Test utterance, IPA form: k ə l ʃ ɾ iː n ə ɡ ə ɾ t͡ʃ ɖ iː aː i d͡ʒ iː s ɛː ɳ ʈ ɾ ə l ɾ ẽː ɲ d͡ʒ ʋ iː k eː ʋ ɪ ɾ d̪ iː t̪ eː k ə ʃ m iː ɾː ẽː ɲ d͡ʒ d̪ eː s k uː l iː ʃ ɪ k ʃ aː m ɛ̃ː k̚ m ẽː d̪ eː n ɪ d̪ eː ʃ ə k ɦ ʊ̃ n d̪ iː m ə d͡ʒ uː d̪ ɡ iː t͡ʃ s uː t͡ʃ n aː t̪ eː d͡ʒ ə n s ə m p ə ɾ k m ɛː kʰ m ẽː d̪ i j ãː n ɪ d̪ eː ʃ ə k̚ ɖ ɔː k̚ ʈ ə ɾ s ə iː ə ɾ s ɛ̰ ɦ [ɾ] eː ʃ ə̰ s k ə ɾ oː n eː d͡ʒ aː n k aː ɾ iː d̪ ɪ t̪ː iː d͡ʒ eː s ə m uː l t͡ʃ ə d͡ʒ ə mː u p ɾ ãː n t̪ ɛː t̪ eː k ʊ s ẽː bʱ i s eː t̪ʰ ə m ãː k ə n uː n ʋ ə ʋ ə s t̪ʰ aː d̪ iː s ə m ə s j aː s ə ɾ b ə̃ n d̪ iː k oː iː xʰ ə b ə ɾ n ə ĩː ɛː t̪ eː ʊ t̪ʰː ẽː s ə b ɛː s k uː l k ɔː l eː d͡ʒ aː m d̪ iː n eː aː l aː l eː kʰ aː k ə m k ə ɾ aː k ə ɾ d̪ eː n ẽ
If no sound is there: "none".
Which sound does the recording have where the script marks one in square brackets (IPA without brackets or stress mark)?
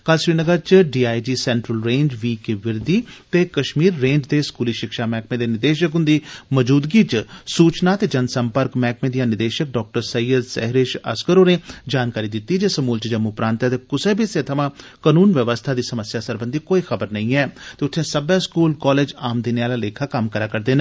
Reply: ɾ